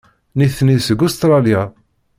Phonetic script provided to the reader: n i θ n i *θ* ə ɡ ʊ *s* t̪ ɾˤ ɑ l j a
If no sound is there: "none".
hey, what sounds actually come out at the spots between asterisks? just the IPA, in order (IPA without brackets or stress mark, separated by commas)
s, s